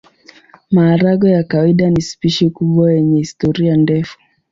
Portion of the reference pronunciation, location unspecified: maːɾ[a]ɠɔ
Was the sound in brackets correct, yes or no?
yes